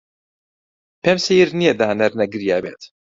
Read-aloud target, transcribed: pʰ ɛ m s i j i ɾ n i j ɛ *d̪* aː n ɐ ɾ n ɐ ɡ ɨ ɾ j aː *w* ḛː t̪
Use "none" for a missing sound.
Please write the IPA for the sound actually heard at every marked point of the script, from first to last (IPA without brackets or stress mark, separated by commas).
d̪, b